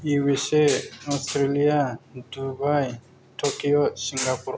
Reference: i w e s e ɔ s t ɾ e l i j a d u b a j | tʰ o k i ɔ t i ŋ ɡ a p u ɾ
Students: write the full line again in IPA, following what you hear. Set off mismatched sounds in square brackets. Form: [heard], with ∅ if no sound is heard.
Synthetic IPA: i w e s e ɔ s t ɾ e l i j a d u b a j | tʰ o k i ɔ [s] i ŋ ɡ a p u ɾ

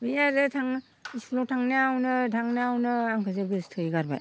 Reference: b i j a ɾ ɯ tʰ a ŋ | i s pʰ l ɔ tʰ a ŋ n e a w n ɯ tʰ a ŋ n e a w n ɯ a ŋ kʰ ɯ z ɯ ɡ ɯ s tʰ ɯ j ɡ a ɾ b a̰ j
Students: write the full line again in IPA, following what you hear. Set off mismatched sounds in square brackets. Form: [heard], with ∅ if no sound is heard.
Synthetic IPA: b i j a ɾ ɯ tʰ a ŋ | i s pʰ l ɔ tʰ a ŋ n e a w n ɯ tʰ a ŋ n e a w n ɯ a ŋ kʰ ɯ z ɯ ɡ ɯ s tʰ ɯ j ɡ a ɾ b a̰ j

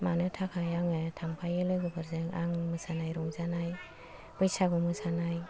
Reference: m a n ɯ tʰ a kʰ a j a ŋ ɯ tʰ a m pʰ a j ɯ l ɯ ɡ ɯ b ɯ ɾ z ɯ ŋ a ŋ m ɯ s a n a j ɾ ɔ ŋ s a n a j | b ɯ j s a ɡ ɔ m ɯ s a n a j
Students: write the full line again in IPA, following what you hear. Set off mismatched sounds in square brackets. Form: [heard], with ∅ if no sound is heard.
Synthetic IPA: m a n ɯ tʰ a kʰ a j a ŋ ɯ tʰ a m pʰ a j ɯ l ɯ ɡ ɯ b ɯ ɾ z ɯ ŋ a ŋ m ɯ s a n a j ɾ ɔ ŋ [z] a n a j | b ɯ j s a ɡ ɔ m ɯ s a n a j

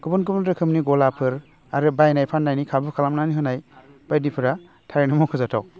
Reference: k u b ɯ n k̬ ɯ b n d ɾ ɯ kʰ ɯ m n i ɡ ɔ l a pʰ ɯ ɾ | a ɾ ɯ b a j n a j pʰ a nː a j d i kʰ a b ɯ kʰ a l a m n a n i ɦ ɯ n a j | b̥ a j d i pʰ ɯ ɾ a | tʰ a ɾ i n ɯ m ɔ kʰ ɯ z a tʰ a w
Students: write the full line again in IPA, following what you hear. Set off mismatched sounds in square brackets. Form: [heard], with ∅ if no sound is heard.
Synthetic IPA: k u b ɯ n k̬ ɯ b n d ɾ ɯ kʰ ɯ m n i ɡ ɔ l a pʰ ɯ ɾ | a ɾ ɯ b a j n a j pʰ a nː a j [n] i kʰ a b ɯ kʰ a l a m n a n i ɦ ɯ n a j | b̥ a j d i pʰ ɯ ɾ a | tʰ a ɾ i n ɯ m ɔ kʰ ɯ z a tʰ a w

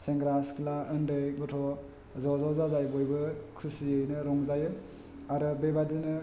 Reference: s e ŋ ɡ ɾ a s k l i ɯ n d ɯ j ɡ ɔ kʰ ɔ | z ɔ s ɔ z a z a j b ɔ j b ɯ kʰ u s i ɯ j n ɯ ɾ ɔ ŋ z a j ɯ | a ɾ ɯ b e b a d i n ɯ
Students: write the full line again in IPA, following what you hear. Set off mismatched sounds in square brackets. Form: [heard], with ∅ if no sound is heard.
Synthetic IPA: s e ŋ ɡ ɾ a s k l [a] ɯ n d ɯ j ɡ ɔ [tʰ] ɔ | z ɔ [z] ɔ z a z a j b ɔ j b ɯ kʰ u s i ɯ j n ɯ ɾ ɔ ŋ z a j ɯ | a ɾ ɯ b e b a d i n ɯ

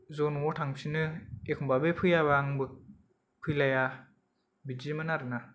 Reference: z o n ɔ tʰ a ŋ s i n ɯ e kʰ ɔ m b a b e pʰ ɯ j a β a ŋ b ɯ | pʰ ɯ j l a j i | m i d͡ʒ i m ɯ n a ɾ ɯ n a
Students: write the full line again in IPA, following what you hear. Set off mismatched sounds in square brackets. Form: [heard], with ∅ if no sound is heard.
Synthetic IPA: z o n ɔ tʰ a ŋ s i n ɯ e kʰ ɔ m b a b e pʰ ɯ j a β a ŋ b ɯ | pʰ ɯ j l a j [a] | [b] i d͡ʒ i m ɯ n a ɾ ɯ n a

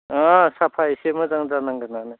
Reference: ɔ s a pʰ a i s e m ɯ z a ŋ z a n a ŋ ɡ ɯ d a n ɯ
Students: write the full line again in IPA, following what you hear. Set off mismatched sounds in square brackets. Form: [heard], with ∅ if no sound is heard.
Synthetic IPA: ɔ s a pʰ a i s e m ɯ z a ŋ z a n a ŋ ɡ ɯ [n] a n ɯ

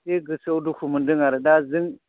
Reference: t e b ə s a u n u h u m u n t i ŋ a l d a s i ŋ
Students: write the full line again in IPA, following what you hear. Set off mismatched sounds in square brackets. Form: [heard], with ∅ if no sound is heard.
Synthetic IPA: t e [ɡ] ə s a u [d] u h u m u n [d] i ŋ a [ɾ] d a [z] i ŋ

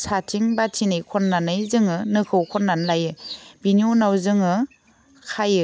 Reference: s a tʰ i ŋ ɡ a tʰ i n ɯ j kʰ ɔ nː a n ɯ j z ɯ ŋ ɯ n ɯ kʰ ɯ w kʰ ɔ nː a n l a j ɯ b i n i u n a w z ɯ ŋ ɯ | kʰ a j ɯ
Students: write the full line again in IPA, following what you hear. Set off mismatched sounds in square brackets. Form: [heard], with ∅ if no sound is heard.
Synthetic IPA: s a tʰ i ŋ [b] a tʰ i n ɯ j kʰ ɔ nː a n ɯ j z ɯ ŋ ɯ n ɯ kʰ ɯ w kʰ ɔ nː a n l a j ɯ b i n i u n a w z ɯ ŋ ɯ | kʰ a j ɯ

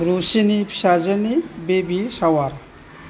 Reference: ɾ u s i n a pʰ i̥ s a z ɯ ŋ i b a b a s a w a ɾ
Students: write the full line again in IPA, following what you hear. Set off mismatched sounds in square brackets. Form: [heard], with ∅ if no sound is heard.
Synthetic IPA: ɾ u s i n [i] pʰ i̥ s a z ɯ [n] i b [e] b [i] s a w a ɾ

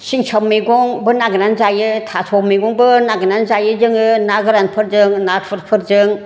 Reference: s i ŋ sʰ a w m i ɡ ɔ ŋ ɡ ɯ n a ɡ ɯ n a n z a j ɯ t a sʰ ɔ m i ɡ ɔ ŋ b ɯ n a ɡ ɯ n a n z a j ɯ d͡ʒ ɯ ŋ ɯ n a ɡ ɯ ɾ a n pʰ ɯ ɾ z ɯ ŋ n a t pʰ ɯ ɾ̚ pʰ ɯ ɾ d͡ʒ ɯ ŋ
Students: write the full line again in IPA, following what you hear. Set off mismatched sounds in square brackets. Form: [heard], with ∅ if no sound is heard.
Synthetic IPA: s i ŋ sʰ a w m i ɡ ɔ ŋ [b] ɯ n a ɡ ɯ n a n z a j ɯ [tʰ] a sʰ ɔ m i ɡ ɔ ŋ b ɯ n a ɡ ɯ n a n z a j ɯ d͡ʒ ɯ ŋ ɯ n a ɡ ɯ ɾ a n pʰ ɯ ɾ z ɯ ŋ n a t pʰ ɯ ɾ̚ pʰ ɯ ɾ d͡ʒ ɯ ŋ

